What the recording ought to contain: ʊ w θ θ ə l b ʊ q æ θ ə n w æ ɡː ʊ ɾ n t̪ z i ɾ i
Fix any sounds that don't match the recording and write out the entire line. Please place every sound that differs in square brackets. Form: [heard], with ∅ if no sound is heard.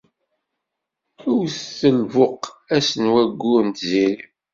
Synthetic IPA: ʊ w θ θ ə l [v] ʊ q æ [s] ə n w æ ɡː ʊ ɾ n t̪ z i ɾ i